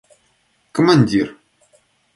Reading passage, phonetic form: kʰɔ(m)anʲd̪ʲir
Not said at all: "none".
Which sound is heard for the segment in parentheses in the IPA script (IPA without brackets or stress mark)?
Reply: m